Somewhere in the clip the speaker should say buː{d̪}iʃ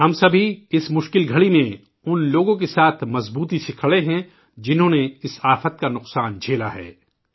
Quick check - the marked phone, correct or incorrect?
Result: incorrect